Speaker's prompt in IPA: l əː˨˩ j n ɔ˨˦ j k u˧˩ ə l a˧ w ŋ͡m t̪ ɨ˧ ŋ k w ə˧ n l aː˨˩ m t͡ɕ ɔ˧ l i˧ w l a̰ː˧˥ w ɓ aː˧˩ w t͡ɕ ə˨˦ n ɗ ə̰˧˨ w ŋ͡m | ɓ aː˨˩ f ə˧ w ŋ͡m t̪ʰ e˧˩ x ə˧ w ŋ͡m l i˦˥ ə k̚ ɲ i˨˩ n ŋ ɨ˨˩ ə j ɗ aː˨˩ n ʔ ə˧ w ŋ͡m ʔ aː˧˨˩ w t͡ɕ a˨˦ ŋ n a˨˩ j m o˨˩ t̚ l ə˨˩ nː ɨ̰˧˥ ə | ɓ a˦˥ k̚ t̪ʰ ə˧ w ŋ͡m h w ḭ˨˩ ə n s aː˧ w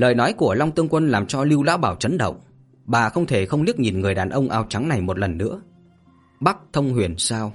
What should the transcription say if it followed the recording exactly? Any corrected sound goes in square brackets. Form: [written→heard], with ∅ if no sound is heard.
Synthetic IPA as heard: l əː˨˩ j n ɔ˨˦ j k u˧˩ ə l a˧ w ŋ͡m t̪ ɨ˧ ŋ k w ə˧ n l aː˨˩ m t͡ɕ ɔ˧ l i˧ w l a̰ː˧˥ w ɓ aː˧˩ w t͡ɕ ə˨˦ n ɗ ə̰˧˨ w ŋ͡m | ɓ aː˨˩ [f→x] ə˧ w ŋ͡m t̪ʰ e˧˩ x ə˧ w ŋ͡m l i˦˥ ə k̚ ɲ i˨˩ n ŋ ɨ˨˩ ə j ɗ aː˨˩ n ʔ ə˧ w ŋ͡m ʔ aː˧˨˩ w t͡ɕ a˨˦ ŋ n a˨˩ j m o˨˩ t̚ l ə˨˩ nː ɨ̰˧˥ ə | ɓ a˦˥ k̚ t̪ʰ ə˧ w ŋ͡m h w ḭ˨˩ ə n s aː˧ w